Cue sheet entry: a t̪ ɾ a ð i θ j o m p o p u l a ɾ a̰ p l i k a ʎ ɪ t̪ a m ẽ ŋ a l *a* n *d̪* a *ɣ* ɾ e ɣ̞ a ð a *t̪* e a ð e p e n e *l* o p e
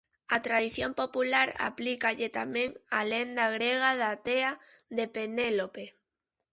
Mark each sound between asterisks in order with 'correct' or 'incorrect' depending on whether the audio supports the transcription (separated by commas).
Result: incorrect, correct, correct, correct, correct